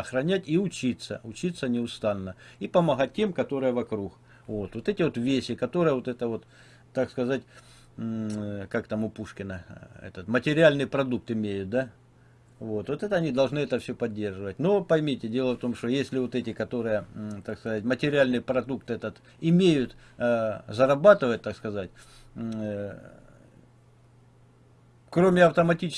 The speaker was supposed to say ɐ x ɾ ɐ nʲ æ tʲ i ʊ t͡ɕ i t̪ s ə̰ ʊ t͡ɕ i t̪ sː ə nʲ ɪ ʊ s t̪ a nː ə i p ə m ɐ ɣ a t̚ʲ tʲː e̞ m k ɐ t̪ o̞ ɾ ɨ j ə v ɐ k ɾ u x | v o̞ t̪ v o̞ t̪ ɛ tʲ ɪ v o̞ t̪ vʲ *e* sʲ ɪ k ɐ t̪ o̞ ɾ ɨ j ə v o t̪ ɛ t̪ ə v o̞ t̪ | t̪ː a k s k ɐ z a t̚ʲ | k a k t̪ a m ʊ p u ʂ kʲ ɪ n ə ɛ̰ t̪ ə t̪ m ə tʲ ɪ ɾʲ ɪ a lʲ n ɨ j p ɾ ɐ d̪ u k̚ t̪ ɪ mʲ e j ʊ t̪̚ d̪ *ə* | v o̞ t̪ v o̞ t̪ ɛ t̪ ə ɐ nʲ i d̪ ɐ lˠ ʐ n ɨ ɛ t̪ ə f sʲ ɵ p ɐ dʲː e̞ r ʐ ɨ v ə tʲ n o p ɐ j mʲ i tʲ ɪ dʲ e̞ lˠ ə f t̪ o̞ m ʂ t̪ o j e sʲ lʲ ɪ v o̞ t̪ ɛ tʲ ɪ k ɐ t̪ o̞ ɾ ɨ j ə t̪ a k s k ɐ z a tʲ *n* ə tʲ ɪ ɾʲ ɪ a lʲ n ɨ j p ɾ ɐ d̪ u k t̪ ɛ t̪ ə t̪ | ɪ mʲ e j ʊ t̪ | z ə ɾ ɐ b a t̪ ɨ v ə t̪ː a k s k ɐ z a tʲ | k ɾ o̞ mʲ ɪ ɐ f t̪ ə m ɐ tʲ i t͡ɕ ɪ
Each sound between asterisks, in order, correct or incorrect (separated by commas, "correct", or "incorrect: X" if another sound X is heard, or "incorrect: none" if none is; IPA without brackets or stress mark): correct, incorrect: a, incorrect: m